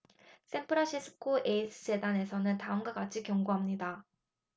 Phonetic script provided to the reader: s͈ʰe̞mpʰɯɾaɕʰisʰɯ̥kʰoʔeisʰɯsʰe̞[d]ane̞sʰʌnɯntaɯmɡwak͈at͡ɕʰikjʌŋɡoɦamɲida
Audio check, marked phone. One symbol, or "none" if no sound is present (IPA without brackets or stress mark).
d